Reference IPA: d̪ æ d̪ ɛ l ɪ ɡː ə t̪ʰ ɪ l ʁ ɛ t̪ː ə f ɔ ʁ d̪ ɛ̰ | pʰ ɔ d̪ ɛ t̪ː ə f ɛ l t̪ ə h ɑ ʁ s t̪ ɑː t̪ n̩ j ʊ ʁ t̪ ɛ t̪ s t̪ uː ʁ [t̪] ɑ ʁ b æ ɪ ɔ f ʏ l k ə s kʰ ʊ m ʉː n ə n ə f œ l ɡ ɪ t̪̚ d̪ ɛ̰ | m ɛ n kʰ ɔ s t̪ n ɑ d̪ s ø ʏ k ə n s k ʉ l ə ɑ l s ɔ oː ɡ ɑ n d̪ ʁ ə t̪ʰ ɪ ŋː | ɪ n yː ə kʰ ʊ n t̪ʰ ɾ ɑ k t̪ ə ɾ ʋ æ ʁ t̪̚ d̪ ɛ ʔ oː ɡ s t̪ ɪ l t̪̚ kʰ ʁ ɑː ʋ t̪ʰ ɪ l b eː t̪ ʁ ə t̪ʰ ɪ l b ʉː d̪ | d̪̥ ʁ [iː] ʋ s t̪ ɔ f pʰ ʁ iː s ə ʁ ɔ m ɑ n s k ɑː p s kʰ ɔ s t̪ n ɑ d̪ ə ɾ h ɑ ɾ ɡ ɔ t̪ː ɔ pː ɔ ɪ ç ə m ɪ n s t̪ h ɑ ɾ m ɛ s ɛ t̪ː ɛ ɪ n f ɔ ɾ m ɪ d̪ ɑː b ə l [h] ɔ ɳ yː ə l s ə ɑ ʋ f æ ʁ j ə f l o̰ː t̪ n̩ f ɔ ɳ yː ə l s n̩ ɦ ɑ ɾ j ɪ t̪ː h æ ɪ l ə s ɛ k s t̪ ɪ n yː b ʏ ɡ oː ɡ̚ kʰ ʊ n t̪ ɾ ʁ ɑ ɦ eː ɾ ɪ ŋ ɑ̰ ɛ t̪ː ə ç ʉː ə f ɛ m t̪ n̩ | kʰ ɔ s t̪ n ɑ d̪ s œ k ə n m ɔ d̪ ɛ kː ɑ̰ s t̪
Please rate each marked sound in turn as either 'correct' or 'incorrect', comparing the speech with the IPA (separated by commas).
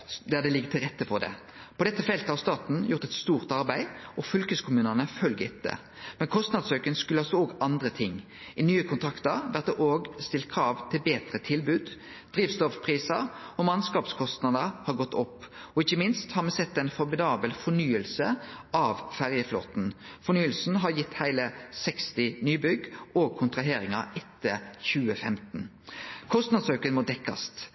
correct, correct, incorrect